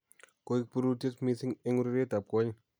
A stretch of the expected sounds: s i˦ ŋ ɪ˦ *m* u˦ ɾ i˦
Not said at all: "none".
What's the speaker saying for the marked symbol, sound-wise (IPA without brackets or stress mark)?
ŋ